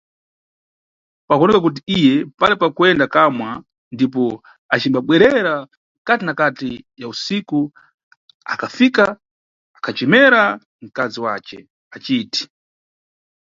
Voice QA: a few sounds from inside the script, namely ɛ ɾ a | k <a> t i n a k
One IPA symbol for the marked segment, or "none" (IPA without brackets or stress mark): a